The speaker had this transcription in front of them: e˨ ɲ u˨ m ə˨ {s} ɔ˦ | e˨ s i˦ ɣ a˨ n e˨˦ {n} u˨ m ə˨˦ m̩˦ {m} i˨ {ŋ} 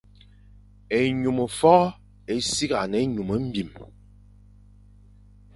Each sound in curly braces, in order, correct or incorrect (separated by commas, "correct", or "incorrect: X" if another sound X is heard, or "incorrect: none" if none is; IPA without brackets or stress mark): incorrect: f, incorrect: ɲ, incorrect: b, incorrect: m